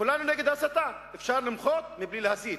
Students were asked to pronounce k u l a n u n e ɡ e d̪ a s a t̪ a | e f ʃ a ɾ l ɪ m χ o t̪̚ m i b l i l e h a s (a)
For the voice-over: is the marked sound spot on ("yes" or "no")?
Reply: no